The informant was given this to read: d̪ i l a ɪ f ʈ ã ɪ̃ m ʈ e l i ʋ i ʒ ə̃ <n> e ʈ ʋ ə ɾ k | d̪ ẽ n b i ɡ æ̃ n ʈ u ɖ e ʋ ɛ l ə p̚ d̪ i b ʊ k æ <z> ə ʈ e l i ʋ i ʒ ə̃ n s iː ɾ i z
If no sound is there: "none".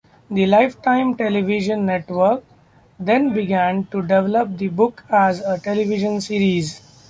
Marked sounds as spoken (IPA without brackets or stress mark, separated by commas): nː, z